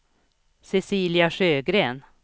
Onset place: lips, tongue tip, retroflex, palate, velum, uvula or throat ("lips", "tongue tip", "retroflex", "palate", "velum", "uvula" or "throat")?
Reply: tongue tip